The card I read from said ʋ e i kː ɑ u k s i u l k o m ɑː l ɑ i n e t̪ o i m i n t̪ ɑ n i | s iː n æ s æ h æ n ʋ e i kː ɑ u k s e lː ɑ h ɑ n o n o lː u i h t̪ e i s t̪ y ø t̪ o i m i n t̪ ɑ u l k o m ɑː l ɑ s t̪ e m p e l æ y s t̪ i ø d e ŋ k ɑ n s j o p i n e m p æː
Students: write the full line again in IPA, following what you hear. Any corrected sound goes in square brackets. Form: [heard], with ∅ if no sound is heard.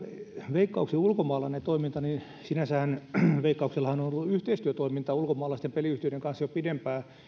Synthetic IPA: ʋ e i kː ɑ u k s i u l k o m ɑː l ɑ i n e t̪ o i m i n t̪ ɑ n i | s [i] n æ s æ h æ n ʋ e i kː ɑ u k s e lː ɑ h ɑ n o n o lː u [y] h t̪ e i s t̪ y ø t̪ o i m i n t̪ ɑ u l k o m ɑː l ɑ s t̪ e m p e l [i] y [h] t̪ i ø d e ŋ k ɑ n s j o p i [d] e m p æː